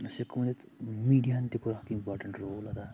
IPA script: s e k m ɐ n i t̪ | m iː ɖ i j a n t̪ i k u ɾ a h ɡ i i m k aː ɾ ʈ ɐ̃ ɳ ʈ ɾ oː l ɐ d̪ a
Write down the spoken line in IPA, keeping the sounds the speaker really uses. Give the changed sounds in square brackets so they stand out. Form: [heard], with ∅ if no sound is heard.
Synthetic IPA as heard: s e k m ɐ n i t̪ | m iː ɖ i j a n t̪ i k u ɾ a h [k] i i m [p] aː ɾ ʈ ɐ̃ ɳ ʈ ɾ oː l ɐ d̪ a

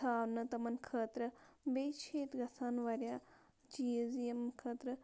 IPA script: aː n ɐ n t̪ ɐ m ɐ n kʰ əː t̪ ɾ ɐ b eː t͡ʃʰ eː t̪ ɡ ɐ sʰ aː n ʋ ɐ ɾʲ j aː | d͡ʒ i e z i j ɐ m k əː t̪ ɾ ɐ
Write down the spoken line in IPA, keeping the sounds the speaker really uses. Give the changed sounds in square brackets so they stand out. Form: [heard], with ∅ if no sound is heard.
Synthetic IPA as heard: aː n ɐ [∅] t̪ ɐ m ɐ n kʰ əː t̪ ɾ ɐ b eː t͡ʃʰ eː t̪ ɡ ɐ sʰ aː n ʋ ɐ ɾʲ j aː | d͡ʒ i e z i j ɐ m [kʰ] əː t̪ ɾ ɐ

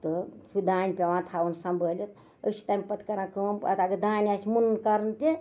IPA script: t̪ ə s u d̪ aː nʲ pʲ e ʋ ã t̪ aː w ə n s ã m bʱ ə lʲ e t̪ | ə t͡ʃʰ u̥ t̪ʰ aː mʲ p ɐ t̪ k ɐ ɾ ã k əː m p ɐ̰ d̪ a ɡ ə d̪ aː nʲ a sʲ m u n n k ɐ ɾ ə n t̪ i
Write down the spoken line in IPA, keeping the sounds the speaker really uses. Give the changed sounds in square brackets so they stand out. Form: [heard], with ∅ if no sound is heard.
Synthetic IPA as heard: t̪ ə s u d̪ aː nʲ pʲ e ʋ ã [t̪ʰ] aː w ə n s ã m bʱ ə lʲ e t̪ | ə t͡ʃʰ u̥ [t̪] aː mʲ p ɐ t̪ k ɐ ɾ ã k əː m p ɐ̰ [t̪] a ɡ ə d̪ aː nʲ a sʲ m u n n k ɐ ɾ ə n t̪ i

